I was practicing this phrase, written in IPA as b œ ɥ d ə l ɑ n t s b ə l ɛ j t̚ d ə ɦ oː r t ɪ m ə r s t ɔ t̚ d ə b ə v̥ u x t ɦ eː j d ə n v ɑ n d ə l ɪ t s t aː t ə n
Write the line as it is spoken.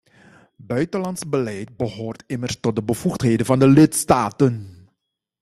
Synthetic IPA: b œ ɥ t ə l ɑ n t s b ə l ɛ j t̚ b ə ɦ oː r t ɪ m ə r s t ɔ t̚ d ə b ə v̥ u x t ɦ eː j d ə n v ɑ n d ə l ɪ t s t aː t ə n